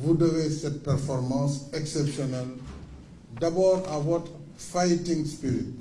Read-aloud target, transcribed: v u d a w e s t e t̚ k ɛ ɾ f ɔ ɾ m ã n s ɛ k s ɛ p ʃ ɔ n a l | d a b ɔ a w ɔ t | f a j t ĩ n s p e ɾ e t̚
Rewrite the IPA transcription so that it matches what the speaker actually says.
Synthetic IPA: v u d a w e s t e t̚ p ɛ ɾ f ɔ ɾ m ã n s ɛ k s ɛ p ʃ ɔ n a l | d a b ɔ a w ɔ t | f a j t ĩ ŋ s p i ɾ i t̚